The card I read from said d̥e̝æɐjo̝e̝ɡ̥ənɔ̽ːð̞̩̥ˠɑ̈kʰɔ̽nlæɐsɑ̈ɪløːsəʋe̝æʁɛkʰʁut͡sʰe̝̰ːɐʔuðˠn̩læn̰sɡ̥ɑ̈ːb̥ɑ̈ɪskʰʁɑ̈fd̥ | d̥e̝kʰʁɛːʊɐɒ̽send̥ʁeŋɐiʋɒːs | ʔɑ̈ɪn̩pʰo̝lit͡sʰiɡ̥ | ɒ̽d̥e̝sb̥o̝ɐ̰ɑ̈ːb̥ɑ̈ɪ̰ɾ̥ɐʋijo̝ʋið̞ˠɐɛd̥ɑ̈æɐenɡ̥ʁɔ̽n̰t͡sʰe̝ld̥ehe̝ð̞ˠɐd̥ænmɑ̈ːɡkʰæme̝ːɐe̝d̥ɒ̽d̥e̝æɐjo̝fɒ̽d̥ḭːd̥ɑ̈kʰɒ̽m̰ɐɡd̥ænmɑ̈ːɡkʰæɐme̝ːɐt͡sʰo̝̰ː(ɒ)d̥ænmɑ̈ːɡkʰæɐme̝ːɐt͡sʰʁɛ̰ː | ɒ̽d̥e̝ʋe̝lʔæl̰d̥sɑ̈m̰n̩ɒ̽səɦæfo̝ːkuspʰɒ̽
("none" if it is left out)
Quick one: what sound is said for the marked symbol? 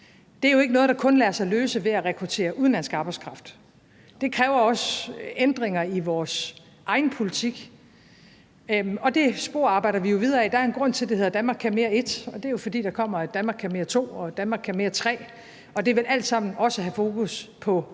ɒ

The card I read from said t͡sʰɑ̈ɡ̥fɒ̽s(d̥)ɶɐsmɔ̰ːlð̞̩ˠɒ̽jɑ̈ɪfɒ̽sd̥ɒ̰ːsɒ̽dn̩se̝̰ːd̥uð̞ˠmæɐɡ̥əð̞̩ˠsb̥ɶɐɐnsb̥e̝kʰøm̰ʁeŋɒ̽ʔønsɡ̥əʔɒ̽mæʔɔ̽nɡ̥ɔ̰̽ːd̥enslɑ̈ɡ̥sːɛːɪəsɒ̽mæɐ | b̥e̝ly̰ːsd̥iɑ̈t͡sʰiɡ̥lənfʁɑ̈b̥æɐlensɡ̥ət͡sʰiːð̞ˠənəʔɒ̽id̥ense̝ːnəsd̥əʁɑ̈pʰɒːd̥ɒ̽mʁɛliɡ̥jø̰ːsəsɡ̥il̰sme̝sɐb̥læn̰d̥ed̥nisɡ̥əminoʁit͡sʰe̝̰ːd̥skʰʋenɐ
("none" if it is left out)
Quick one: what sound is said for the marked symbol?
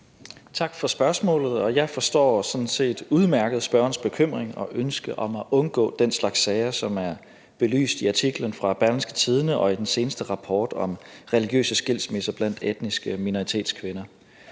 b̥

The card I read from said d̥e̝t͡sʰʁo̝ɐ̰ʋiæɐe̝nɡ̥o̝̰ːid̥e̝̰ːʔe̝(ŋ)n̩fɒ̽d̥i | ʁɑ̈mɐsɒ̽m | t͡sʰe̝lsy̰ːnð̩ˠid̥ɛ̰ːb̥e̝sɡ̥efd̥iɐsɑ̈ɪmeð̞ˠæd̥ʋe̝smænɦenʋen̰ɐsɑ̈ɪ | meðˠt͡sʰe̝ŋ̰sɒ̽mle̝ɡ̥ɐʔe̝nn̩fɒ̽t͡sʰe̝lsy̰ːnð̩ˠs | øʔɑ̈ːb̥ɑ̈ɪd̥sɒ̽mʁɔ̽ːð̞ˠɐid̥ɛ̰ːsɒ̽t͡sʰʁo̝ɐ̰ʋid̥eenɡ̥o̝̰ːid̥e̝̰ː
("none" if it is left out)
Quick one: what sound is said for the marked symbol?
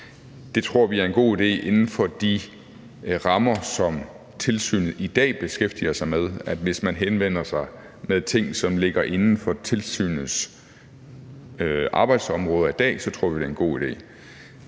n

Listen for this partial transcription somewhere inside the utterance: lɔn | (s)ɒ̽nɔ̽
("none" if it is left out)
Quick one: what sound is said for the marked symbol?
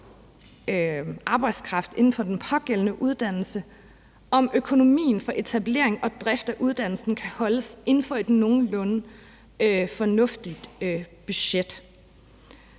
f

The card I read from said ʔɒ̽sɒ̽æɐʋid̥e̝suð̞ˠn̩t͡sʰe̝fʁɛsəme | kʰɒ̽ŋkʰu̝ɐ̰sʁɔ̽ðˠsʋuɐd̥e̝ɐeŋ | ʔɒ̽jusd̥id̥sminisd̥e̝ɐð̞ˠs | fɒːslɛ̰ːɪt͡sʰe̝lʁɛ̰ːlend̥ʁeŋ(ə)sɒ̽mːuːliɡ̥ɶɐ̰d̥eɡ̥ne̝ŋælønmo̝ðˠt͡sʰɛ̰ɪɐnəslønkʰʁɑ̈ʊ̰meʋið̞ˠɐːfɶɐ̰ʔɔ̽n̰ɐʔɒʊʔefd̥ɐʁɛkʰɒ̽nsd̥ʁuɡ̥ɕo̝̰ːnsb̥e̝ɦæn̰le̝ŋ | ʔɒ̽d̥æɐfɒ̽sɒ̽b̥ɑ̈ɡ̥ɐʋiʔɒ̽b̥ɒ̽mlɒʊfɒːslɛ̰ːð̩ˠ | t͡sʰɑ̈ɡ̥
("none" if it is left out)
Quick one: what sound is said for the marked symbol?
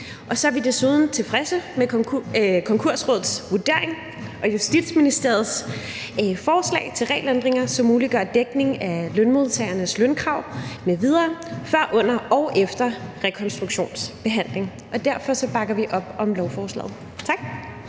ɐ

